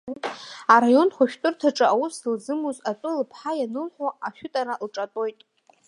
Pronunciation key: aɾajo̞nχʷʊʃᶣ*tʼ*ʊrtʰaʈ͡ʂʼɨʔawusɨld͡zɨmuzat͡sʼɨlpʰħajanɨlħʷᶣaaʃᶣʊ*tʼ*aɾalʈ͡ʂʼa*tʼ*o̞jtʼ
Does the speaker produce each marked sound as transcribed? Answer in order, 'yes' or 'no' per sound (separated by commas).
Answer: yes, yes, yes